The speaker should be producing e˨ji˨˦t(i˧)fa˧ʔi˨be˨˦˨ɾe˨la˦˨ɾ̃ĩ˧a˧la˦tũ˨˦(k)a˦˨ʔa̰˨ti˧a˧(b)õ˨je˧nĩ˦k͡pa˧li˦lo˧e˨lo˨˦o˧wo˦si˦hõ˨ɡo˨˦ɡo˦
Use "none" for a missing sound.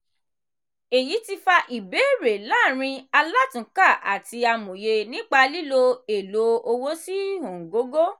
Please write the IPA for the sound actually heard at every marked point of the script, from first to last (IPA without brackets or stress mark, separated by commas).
i˧, k, m